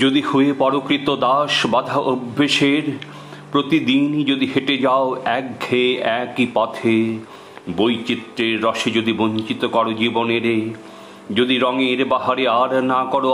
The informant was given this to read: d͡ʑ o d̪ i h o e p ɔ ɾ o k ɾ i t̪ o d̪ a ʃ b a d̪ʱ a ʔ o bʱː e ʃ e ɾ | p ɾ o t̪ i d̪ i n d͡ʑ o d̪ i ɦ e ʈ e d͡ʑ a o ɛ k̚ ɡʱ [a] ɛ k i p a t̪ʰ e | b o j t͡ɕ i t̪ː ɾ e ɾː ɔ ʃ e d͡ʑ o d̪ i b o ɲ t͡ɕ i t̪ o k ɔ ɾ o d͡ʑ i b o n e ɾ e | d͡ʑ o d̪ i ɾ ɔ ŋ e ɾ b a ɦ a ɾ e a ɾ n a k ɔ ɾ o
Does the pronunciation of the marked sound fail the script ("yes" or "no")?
yes